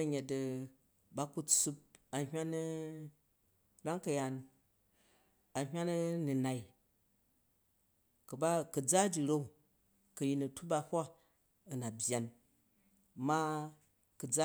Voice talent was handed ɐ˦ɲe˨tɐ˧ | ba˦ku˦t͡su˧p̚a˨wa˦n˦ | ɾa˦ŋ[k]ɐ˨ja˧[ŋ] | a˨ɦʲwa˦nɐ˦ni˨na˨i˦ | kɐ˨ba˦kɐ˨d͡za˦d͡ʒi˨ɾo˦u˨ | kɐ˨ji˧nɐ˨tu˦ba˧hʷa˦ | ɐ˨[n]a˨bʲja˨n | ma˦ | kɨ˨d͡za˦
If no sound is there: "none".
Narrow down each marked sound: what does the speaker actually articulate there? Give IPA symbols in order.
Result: k, n, n

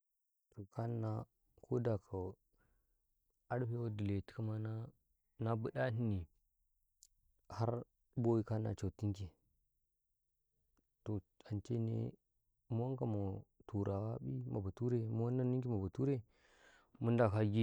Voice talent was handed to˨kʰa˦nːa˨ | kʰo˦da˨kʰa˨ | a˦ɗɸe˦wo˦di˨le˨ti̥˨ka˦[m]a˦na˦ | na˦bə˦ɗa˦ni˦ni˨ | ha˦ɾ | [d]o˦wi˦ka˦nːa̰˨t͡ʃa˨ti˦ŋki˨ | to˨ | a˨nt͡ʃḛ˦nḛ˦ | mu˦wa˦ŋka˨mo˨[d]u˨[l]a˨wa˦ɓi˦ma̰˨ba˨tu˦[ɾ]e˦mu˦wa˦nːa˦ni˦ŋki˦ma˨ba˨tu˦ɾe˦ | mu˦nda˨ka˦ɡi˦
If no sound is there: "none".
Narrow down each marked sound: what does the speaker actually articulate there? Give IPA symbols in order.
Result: m, b, t, ɾ, ɾ

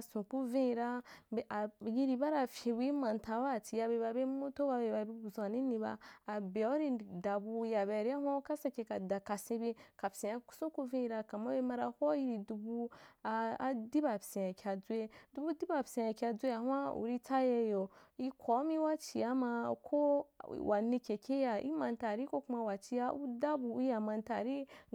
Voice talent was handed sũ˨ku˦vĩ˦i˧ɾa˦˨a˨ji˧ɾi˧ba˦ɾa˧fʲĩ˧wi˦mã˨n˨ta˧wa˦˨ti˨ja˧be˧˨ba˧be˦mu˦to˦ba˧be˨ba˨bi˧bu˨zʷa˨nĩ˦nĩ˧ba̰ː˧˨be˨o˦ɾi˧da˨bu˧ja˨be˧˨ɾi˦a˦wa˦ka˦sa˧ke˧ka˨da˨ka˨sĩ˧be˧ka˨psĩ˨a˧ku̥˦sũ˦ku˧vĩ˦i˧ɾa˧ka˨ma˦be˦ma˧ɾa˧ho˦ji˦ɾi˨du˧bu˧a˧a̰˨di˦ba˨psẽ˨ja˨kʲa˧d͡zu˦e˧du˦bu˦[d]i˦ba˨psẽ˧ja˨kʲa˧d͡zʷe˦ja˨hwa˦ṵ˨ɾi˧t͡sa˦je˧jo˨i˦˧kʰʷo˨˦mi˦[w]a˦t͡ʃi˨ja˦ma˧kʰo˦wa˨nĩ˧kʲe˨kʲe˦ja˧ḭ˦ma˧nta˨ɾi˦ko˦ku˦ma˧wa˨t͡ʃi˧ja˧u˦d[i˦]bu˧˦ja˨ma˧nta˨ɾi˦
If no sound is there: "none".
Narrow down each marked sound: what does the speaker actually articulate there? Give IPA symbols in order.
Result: d, w, a˦

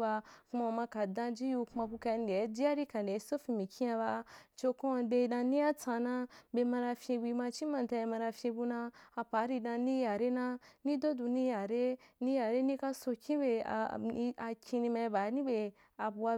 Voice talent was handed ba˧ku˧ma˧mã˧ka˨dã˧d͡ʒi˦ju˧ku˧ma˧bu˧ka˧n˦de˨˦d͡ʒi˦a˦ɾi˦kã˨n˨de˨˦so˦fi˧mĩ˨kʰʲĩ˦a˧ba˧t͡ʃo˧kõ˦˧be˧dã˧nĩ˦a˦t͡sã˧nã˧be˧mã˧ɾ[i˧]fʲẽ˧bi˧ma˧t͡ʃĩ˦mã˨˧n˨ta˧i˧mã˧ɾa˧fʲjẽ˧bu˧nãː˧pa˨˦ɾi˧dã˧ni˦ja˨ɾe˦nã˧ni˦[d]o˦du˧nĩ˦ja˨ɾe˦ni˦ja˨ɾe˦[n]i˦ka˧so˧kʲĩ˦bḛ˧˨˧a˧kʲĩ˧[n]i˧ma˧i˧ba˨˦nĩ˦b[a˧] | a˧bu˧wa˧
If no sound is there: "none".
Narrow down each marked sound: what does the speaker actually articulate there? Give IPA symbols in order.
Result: a˧, d, n, n, e˧

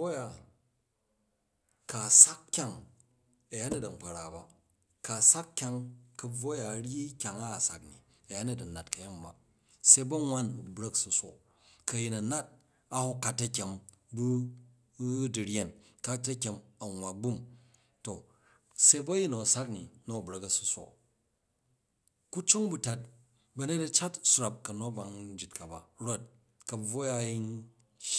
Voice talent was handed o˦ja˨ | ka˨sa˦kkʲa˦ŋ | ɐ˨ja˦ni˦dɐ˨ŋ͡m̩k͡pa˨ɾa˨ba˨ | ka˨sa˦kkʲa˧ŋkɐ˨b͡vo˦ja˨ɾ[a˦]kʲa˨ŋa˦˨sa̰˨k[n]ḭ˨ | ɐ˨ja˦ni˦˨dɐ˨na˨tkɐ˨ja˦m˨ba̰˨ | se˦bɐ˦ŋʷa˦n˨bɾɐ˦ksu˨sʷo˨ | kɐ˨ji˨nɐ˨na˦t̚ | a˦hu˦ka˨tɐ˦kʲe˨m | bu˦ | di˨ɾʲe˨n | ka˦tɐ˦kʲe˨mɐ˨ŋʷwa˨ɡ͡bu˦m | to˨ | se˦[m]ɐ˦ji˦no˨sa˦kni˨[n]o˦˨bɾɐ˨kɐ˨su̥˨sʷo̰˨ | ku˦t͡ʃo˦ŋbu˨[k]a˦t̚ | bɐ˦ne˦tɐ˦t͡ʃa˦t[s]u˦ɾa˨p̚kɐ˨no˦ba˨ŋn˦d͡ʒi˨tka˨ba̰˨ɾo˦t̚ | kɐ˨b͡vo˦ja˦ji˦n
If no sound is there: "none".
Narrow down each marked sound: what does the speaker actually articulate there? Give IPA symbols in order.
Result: i˦, n, b, n, t, s

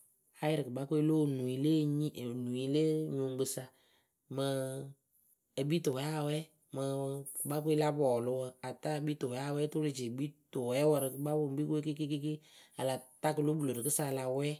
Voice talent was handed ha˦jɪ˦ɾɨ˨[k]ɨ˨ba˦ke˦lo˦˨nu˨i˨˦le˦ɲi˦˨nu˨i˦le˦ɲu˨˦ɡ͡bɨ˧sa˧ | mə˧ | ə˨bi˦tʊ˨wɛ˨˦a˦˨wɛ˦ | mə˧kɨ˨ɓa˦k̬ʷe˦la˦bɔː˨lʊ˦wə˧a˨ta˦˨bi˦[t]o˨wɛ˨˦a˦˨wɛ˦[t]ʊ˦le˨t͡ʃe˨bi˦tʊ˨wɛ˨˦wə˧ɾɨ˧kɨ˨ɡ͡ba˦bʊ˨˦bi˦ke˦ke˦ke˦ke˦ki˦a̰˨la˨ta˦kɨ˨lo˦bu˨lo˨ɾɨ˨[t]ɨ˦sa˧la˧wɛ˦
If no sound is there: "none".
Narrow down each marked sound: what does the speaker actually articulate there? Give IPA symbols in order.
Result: k, t, t, k

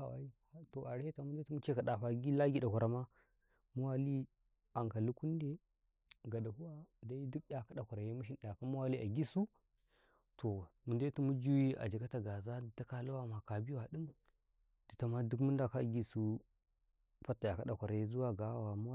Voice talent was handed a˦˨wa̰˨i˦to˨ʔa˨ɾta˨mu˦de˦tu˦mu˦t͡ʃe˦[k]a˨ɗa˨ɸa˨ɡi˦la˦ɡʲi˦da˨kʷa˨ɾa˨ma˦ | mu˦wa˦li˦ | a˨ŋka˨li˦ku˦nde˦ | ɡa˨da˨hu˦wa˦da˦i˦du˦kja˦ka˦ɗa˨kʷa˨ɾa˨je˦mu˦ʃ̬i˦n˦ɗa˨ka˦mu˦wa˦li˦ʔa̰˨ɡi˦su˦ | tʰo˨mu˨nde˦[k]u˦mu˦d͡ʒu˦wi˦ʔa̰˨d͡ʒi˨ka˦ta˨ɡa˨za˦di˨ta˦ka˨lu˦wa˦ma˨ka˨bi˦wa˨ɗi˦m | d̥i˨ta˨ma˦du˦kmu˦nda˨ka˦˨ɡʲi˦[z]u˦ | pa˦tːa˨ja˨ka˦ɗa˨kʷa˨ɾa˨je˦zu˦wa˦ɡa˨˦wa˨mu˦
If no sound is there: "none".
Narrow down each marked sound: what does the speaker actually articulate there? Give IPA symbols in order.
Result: k, t, s

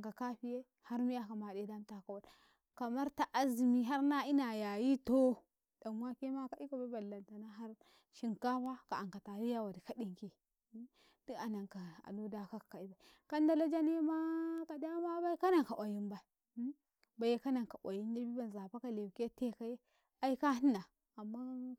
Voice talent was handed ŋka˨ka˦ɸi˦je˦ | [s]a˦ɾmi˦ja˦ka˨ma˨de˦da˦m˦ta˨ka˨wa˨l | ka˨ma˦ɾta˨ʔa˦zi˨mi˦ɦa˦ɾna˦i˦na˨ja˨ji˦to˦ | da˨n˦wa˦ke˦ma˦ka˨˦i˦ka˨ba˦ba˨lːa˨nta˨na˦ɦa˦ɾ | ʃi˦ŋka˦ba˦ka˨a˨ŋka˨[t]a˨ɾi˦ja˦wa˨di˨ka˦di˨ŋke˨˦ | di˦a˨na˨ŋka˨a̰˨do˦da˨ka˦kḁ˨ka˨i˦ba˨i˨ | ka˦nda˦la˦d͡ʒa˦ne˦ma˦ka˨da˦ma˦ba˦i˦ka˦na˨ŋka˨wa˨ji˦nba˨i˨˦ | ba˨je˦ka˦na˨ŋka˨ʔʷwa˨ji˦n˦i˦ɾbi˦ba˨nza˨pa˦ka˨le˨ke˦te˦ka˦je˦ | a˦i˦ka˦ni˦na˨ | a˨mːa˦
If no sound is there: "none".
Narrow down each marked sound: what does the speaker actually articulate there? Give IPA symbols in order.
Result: h, t

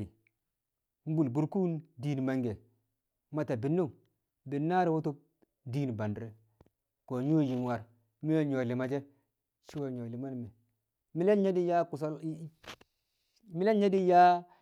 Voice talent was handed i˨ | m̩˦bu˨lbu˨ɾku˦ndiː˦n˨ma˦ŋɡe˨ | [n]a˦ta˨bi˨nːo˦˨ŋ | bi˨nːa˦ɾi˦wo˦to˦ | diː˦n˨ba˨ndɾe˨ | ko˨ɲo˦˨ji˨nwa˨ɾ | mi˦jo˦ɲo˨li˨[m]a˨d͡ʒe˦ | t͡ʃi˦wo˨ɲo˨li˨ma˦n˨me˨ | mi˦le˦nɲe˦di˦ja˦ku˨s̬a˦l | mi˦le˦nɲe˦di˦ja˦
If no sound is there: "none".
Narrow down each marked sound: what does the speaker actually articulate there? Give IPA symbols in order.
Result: m, m

